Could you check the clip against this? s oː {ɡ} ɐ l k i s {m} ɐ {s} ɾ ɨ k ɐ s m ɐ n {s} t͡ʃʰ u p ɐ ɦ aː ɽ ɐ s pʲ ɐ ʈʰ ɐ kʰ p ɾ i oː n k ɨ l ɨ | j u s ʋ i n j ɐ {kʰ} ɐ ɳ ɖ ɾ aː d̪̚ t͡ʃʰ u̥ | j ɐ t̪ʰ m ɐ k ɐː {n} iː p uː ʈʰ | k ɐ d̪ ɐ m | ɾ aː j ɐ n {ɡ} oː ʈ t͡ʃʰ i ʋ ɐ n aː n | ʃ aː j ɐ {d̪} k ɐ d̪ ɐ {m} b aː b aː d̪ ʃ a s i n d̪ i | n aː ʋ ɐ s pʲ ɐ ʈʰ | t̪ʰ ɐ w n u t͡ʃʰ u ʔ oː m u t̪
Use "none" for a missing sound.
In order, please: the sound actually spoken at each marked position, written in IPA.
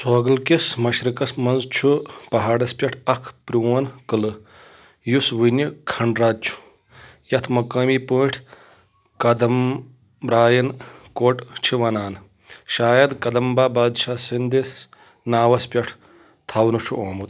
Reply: ɡ, m, ʃ, z, kʰ, m, k, d̪, m

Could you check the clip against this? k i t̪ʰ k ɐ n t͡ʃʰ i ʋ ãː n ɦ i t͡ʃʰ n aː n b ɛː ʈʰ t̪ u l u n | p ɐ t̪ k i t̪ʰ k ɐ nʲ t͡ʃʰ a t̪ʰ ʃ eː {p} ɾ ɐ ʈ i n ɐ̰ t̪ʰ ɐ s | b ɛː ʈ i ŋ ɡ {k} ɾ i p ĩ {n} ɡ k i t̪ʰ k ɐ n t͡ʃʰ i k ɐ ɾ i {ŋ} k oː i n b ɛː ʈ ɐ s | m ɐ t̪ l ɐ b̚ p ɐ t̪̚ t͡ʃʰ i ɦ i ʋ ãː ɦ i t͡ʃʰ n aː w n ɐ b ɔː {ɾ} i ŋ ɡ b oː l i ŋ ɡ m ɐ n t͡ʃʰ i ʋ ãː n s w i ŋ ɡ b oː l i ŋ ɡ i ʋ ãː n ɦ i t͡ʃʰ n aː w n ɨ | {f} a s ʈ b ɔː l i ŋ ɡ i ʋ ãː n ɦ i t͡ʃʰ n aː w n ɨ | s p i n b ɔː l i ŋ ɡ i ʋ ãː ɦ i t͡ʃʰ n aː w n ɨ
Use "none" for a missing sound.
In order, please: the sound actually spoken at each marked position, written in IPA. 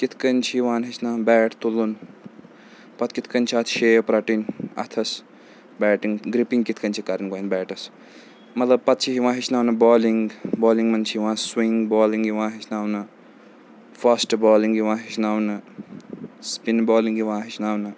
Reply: p, ɡ, ŋ, n, l, f

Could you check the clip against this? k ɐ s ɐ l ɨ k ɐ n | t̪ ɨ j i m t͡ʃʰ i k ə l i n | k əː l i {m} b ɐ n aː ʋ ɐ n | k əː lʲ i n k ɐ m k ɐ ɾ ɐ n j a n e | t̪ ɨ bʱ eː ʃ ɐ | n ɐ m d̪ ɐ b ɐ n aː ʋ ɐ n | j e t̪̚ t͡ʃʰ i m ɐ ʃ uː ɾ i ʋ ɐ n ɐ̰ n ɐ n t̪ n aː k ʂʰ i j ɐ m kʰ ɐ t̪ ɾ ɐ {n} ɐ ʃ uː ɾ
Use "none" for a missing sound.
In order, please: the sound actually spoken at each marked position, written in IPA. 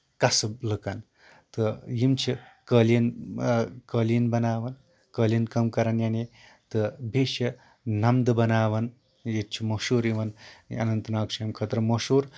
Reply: n, m

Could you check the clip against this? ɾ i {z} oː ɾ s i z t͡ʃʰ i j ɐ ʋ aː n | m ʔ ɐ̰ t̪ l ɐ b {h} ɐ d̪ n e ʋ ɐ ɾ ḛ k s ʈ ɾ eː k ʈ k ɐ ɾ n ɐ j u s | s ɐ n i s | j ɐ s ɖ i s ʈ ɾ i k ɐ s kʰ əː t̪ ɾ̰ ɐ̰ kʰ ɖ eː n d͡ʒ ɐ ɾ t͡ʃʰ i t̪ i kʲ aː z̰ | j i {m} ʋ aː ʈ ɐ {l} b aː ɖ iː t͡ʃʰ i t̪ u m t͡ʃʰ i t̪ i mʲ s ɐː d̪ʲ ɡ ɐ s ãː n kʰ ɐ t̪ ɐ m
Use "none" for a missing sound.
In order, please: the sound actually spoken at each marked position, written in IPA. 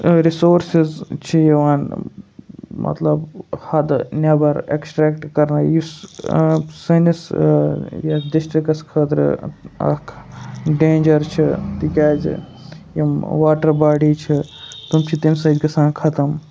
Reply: s, h, m, ɾ

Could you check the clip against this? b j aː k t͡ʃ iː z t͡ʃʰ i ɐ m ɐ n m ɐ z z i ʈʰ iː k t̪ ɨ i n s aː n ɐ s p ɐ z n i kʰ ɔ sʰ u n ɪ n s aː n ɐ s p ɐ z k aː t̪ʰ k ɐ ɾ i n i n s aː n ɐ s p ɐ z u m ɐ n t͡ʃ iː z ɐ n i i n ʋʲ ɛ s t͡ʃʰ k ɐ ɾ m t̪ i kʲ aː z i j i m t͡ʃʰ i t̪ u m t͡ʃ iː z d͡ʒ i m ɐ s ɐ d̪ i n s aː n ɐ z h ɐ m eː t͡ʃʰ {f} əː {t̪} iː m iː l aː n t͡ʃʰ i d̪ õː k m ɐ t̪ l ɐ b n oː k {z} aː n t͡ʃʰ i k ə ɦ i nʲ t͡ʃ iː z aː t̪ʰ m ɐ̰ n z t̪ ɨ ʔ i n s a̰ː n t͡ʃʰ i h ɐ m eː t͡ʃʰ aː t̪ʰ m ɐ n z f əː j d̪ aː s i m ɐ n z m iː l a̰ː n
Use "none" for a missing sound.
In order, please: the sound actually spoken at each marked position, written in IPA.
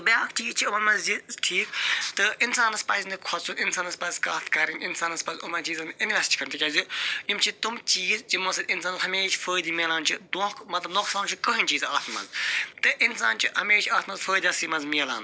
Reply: f, d̪, s

